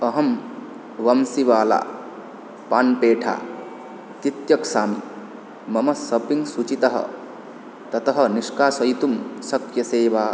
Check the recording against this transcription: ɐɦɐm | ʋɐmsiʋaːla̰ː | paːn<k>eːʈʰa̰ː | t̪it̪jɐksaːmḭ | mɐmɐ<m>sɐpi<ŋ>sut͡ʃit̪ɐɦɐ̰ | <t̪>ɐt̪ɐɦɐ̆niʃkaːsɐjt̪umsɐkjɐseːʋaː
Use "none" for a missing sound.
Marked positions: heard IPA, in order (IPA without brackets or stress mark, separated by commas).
p, none, ŋ, t̪